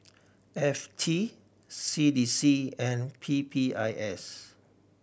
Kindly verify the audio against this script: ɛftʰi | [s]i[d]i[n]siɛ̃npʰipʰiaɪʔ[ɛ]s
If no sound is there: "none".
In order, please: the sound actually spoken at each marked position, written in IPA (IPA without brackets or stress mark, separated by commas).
s, d, none, ɛ